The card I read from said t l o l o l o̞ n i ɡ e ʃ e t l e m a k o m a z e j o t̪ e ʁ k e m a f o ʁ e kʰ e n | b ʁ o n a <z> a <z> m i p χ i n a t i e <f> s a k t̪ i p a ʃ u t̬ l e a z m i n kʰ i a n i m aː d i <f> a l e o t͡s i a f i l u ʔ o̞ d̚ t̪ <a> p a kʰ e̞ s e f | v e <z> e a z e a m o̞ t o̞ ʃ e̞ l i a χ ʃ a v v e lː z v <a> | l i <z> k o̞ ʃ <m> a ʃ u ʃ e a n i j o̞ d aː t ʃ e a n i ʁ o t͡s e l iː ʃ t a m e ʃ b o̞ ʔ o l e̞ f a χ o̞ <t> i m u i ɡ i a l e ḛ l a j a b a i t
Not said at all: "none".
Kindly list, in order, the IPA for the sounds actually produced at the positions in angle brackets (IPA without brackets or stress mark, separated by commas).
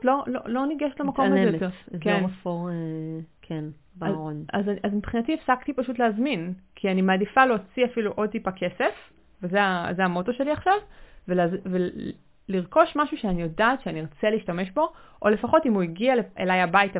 z, z, f, f, i, z, e, ʁ, m, t